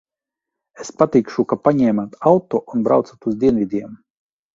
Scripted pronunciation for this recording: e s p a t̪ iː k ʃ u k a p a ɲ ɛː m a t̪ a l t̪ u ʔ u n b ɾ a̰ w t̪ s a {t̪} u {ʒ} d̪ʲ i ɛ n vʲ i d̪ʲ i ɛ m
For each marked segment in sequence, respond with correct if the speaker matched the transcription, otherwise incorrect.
correct, incorrect: z

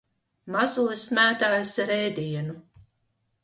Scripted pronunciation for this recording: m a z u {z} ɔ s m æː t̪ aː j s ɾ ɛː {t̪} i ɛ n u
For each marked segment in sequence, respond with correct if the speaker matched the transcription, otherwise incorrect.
incorrect: none, incorrect: d̪

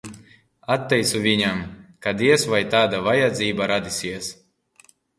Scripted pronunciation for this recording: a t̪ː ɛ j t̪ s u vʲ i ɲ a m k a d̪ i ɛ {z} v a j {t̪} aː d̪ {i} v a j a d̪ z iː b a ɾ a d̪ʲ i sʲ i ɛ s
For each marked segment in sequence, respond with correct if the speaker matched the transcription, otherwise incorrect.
incorrect: s, correct, incorrect: a

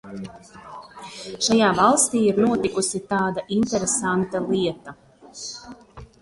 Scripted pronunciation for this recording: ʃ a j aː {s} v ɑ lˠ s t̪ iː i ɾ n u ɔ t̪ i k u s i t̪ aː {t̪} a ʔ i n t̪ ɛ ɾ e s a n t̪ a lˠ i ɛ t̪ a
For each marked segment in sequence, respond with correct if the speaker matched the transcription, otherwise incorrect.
incorrect: none, incorrect: d̪

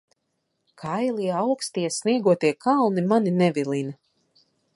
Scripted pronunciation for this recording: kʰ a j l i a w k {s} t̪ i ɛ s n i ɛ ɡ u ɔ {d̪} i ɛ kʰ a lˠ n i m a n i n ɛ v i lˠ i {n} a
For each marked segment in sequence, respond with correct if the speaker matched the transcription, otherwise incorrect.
correct, incorrect: t̪, correct

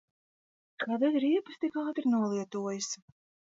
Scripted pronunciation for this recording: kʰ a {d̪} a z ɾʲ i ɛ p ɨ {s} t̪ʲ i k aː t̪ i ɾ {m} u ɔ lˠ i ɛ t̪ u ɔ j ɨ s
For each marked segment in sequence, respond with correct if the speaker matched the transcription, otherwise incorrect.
correct, correct, incorrect: n

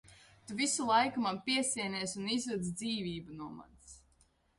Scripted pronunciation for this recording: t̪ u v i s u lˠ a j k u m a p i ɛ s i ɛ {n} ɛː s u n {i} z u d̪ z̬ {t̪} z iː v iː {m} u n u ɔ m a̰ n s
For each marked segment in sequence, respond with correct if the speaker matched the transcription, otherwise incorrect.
correct, correct, incorrect: d̪, incorrect: b

